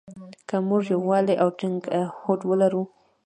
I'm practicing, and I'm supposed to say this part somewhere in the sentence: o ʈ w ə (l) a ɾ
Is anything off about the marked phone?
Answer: no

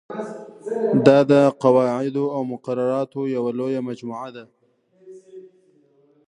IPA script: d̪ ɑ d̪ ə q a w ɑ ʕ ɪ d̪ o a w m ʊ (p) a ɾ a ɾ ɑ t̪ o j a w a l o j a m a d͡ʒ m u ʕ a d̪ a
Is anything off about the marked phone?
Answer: yes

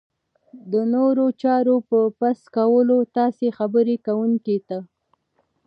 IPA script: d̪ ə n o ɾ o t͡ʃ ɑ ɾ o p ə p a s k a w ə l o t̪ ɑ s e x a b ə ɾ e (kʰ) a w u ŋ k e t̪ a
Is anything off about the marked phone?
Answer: yes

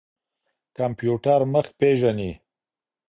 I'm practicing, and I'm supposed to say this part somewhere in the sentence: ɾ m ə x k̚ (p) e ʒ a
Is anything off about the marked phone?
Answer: no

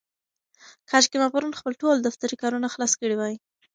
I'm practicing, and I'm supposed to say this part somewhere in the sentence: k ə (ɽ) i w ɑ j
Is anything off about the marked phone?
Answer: no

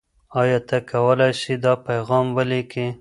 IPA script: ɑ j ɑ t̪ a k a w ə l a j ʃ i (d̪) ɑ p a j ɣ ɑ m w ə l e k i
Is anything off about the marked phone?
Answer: no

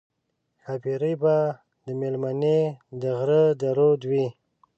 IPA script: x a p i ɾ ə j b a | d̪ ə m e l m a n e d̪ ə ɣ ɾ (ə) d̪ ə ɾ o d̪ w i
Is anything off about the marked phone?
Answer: no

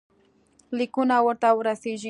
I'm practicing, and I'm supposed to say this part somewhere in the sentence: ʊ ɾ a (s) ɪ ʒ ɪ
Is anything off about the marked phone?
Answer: no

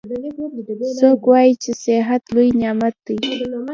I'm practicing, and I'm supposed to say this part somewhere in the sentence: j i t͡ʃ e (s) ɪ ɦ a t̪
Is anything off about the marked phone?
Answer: no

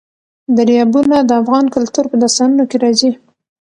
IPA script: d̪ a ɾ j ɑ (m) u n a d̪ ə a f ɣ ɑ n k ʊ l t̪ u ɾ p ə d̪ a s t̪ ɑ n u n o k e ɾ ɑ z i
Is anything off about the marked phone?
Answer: yes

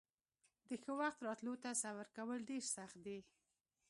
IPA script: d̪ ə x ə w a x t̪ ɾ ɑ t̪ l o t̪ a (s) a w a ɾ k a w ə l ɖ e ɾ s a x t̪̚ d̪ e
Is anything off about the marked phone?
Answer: no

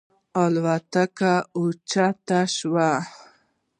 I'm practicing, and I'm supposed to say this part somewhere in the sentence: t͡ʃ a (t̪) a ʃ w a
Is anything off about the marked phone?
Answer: no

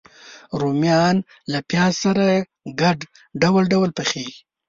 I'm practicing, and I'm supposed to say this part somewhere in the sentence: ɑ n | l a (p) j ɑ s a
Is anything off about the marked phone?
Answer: no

